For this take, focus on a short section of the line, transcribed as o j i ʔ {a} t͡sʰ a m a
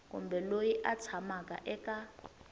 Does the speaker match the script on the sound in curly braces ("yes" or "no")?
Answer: yes